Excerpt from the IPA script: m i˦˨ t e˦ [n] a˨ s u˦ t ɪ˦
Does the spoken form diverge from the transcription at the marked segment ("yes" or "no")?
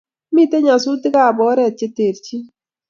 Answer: yes